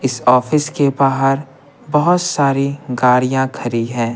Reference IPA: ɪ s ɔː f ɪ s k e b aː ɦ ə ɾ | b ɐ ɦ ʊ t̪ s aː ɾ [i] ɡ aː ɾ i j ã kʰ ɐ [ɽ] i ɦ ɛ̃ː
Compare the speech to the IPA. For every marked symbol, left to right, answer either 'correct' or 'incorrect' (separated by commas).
correct, incorrect